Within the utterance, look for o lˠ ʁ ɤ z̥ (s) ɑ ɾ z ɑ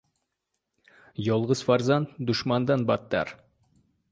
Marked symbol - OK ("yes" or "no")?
no